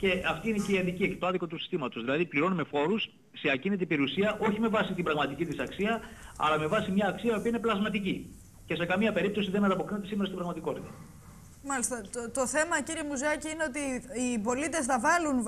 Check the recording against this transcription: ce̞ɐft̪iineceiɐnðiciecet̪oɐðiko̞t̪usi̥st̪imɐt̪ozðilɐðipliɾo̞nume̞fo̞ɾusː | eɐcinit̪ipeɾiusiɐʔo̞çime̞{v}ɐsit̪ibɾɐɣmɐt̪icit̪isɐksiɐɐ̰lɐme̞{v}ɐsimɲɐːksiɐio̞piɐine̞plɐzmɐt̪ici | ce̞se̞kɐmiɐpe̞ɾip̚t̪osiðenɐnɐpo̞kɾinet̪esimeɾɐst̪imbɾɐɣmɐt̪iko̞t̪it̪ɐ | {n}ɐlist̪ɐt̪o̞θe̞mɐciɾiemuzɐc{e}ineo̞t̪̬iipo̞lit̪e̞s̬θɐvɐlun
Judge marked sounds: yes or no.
yes, yes, no, no

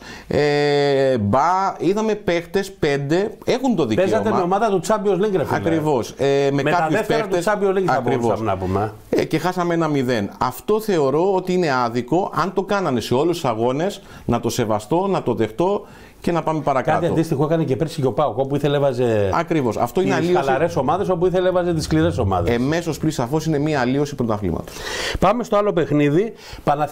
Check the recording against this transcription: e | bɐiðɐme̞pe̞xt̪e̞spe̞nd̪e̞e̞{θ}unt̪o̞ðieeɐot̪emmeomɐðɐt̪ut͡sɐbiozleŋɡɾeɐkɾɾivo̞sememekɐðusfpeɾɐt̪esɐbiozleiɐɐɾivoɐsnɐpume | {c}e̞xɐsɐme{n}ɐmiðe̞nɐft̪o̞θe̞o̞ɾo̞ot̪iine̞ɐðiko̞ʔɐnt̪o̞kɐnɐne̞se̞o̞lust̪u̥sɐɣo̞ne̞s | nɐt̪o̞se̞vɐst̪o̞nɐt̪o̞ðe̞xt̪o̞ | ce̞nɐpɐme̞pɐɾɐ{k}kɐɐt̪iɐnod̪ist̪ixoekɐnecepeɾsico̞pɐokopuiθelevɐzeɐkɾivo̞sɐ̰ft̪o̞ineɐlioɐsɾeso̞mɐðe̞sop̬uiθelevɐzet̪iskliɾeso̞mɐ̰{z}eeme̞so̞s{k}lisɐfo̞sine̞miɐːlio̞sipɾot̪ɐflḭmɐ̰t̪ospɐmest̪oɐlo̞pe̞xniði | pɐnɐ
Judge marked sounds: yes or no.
no, yes, yes, yes, no, no

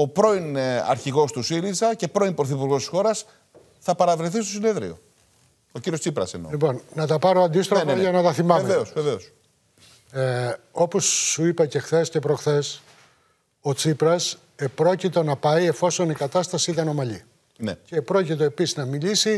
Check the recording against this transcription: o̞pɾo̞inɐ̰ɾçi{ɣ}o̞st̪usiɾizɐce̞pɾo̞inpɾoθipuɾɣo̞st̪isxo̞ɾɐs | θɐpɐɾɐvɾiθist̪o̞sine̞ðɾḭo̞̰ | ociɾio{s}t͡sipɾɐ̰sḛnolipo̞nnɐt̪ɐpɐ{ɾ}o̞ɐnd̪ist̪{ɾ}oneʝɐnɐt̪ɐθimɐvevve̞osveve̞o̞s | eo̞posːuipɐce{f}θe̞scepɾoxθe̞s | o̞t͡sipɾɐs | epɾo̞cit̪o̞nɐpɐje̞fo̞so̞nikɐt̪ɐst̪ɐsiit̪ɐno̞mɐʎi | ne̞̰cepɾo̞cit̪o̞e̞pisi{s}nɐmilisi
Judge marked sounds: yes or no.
yes, yes, yes, yes, no, no

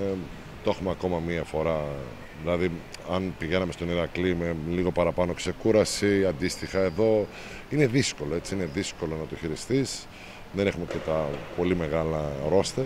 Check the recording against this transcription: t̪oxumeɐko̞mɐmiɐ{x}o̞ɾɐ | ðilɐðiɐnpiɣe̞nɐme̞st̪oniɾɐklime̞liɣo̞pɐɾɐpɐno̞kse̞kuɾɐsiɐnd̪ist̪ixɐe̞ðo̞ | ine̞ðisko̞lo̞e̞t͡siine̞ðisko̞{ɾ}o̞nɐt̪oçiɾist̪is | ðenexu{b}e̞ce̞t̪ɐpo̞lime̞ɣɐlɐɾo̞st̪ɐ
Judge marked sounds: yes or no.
no, no, no

